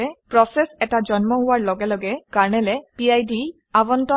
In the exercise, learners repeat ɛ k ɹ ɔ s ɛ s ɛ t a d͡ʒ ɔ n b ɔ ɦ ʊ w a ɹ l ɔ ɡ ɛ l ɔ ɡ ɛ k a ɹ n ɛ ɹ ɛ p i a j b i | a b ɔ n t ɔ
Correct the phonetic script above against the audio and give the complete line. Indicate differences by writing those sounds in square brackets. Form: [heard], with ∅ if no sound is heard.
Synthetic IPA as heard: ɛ [p] ɹ ɔ s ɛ s ɛ t a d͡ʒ ɔ n [m] ɔ ɦ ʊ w a ɹ l ɔ ɡ ɛ l ɔ ɡ ɛ k a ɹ n ɛ [l] ɛ p i a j [d] i | a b ɔ n t ɔ